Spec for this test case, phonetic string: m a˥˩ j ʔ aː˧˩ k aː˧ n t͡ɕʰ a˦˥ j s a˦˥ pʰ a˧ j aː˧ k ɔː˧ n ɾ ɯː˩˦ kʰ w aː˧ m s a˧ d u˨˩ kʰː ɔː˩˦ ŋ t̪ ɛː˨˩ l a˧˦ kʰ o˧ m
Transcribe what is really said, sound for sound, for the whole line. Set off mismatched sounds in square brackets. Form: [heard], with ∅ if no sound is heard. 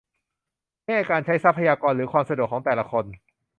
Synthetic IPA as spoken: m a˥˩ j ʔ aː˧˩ k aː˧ n t͡ɕʰ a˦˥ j s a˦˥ pʰ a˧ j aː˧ k ɔː˧ n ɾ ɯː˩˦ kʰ w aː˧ m s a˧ d u˨˩ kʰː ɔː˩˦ ŋ t̪ ɛː˨˩ l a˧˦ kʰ o˧ [n]